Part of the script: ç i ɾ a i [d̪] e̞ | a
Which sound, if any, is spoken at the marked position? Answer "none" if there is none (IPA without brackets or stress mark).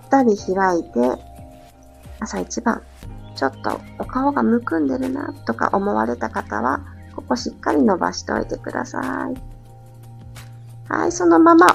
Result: t̪